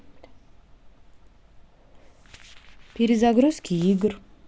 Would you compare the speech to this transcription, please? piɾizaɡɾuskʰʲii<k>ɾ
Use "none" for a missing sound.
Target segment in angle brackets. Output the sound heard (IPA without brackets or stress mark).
ɡ